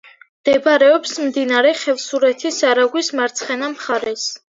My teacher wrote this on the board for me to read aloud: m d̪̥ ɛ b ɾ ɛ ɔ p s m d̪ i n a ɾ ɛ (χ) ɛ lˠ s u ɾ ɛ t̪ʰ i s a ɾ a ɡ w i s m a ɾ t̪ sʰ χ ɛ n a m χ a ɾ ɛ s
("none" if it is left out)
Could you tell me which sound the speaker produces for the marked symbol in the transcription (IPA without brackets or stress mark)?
χ